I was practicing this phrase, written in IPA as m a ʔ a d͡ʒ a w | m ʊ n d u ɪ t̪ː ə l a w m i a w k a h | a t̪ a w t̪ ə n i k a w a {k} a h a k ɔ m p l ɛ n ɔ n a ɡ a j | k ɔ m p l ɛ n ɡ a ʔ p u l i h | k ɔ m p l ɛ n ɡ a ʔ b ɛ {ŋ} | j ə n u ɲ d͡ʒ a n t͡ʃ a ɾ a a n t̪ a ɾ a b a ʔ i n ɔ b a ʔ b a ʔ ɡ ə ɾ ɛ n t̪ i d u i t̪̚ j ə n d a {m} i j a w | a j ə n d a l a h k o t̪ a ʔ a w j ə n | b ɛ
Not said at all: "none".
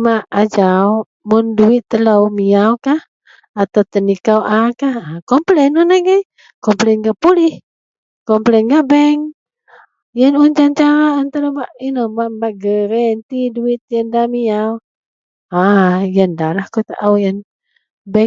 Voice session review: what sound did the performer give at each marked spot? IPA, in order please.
k, ŋ, m

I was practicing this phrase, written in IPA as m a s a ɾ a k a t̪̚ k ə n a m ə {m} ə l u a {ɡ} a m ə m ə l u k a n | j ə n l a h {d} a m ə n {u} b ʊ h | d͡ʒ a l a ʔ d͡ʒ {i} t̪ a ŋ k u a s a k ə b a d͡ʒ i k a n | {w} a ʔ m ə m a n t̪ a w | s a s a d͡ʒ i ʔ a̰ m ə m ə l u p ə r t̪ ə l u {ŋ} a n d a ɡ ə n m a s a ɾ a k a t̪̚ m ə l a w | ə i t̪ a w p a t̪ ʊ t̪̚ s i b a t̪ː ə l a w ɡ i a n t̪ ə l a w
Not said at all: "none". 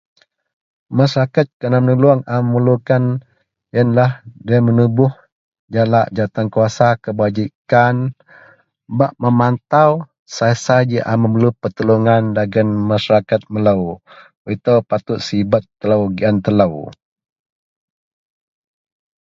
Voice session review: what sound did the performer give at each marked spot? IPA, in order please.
n, ŋ, d, u, a, b, ŋ

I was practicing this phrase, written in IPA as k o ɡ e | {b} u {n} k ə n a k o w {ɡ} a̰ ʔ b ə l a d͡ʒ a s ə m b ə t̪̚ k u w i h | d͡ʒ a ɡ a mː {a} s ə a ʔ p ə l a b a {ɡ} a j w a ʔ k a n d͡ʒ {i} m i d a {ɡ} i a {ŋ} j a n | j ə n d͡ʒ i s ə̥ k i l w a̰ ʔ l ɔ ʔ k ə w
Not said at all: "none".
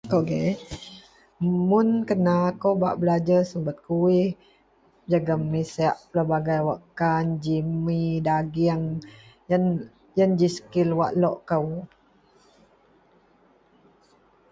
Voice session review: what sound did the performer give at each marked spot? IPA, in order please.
m, n, b, i, ɡ, i, ɡ, ŋ

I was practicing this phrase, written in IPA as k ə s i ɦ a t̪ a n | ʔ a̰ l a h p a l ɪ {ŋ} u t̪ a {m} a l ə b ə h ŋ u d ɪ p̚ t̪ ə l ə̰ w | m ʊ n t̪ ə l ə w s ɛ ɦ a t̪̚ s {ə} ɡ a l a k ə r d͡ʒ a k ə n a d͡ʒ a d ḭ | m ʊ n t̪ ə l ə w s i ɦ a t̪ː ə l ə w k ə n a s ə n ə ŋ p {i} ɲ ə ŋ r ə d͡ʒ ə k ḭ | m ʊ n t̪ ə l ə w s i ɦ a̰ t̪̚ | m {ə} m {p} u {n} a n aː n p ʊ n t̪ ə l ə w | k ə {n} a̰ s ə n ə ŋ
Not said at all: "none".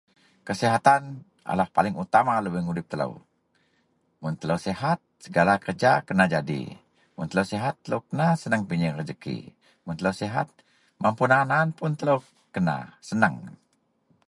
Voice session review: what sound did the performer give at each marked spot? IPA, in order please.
ŋ, m, ə, i, a, p, n, n

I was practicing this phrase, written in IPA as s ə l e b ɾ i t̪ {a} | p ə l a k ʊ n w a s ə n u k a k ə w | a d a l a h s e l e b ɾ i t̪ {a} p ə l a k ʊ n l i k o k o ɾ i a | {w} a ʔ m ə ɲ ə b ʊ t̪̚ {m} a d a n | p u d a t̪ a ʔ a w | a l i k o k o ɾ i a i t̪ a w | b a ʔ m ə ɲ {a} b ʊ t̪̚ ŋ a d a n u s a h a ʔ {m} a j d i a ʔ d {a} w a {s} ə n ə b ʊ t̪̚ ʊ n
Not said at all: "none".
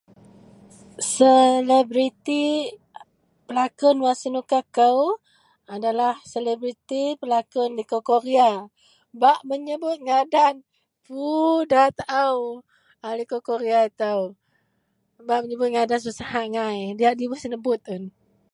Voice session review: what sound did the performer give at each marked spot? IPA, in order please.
i, i, b, ŋ, ə, ŋ, i, s

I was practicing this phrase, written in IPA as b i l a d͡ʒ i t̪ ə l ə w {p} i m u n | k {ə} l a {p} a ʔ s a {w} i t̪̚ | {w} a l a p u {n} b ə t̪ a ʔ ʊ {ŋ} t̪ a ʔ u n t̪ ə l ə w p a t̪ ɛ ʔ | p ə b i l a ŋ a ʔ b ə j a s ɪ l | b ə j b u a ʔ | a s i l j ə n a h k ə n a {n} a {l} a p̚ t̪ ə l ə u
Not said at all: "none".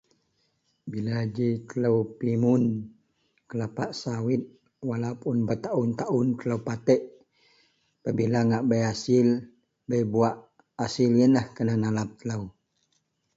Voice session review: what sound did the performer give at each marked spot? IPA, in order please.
p, ə, p, w, w, n, n, n, l

